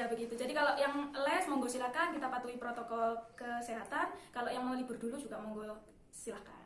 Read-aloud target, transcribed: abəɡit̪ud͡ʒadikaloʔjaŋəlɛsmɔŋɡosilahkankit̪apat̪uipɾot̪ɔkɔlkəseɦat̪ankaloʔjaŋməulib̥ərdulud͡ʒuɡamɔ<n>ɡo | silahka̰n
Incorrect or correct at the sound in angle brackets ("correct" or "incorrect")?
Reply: incorrect